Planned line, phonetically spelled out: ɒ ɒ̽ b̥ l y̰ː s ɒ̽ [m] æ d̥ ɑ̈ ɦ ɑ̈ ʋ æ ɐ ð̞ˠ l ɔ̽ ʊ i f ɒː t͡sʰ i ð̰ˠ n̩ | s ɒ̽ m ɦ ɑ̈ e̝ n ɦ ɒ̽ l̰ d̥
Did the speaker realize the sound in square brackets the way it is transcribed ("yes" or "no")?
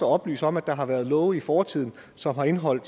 yes